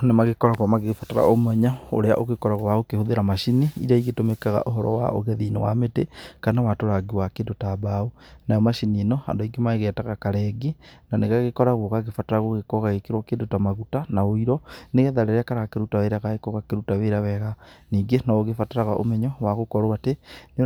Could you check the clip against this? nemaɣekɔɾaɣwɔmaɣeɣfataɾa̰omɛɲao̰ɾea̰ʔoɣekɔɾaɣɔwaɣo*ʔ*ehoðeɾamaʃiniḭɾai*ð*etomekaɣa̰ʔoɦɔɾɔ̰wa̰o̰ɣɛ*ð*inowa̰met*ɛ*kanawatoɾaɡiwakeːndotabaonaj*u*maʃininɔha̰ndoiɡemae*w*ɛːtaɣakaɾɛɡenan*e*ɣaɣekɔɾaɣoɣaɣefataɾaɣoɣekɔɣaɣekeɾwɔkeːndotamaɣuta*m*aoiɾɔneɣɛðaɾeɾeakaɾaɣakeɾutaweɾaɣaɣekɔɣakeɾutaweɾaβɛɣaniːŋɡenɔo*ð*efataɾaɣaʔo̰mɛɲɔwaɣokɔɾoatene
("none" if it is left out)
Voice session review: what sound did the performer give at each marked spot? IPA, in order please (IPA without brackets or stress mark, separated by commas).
k, ɣ, ð, e, ɔ, ɣ, e, n, ɣ